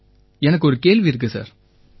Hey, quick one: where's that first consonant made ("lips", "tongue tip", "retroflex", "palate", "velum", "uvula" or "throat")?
tongue tip